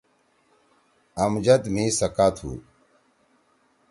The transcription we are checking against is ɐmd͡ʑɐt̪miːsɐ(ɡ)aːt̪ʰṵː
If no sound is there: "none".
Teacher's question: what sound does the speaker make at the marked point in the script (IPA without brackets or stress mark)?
k